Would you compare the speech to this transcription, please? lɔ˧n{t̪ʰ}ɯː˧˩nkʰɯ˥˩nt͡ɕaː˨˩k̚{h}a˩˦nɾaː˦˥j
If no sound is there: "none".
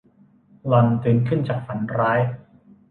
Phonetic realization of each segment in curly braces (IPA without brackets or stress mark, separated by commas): t̪, f